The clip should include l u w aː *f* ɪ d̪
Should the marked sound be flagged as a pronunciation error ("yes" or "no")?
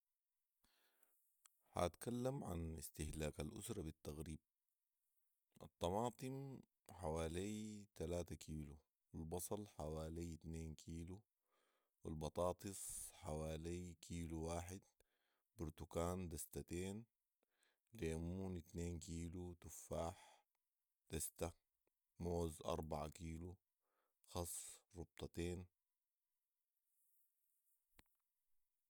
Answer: yes